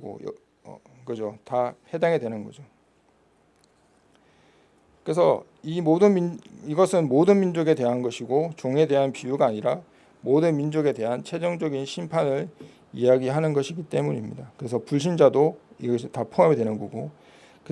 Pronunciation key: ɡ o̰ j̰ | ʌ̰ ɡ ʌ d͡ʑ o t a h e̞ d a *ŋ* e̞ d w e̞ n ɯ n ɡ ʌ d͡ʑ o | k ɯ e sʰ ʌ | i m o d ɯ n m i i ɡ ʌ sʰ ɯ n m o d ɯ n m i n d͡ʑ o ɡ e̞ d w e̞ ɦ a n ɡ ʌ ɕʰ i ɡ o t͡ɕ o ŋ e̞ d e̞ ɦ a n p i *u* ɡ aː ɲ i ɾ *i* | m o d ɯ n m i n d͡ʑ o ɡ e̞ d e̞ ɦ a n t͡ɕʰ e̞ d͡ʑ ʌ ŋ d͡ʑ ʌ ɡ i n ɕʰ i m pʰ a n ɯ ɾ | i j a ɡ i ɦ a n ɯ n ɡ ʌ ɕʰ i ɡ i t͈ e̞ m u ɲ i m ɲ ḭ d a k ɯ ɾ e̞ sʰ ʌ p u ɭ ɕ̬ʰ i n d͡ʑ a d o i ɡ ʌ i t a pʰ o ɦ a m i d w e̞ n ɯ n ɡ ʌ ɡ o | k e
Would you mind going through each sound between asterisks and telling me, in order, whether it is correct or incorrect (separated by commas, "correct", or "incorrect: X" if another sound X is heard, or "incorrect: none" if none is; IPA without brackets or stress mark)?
correct, correct, incorrect: a